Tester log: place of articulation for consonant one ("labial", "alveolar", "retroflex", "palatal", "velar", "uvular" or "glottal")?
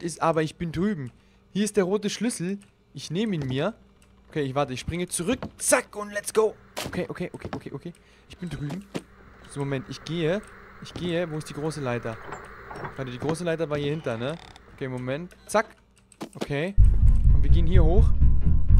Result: alveolar